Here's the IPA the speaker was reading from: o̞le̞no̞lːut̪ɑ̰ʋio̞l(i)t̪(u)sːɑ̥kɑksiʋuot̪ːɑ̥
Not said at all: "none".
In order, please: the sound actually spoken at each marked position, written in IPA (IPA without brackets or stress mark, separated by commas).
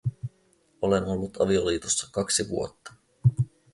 iː, o